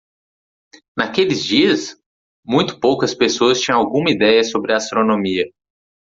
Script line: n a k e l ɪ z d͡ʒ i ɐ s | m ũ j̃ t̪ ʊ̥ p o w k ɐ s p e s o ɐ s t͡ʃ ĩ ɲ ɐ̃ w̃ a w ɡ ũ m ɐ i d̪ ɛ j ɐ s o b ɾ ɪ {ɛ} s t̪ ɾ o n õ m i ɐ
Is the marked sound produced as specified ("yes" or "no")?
no